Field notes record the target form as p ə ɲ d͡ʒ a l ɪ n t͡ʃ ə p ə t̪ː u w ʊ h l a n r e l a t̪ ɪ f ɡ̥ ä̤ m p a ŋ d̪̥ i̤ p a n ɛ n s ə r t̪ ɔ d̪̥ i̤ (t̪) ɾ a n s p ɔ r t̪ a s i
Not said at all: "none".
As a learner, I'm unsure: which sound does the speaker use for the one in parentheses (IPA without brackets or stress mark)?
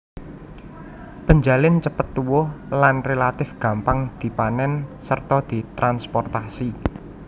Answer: t̪